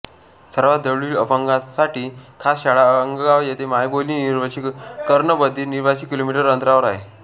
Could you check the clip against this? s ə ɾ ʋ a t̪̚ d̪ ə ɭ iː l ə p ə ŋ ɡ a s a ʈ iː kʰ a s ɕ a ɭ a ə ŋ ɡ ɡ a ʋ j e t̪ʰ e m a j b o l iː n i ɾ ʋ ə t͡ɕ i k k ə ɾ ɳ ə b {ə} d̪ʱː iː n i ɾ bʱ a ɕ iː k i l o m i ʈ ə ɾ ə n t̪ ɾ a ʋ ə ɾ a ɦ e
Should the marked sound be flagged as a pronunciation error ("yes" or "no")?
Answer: no